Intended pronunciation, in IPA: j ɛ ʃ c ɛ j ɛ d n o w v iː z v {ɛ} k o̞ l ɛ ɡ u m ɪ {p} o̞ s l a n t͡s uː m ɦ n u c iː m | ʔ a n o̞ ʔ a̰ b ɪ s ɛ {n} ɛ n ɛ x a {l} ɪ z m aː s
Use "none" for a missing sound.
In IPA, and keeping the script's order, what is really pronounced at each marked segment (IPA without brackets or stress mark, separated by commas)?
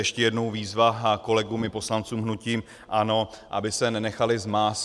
a, p, n, l